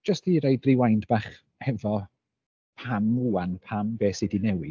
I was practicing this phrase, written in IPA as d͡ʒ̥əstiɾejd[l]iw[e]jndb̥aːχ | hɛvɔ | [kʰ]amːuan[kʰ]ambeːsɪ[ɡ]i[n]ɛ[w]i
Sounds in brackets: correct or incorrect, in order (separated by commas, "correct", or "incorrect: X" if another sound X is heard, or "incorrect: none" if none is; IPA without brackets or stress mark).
incorrect: r, incorrect: a, incorrect: pʰ, incorrect: pʰ, incorrect: d, correct, correct